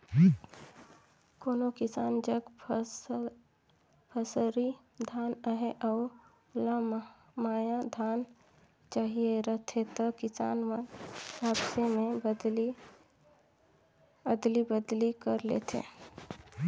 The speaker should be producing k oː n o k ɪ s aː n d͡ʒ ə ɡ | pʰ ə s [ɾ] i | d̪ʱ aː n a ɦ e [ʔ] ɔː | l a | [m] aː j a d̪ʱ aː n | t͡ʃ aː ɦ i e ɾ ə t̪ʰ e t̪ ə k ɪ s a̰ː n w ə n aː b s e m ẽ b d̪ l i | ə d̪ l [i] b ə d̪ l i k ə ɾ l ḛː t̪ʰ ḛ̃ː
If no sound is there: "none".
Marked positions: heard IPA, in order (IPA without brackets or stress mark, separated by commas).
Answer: ɾ, ʔ, m, i